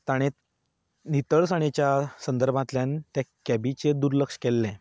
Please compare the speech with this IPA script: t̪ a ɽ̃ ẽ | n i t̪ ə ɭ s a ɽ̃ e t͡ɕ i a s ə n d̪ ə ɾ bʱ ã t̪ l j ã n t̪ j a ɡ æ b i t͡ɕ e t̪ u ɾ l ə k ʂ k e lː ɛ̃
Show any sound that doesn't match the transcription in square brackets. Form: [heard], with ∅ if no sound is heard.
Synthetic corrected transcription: t̪ a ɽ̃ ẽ | n i t̪ ə ɭ s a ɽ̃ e t͡ɕ [j] a s ə n d̪ ə ɾ bʱ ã t̪ l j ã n t̪ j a [k] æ b i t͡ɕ e [d̪] u ɾ l ə k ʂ k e lː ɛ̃